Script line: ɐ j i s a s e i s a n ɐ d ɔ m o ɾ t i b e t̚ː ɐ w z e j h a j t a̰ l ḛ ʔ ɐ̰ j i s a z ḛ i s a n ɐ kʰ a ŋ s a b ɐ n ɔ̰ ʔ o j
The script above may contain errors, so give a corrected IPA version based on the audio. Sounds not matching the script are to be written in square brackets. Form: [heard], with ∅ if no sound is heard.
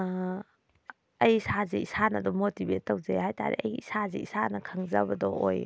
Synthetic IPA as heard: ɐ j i s a [z] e i s a n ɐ d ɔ m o [∅] t i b e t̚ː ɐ w z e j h a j t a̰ [ɾ] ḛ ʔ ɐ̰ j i s a z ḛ i s a n ɐ kʰ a ŋ [z] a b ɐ [d] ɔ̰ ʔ o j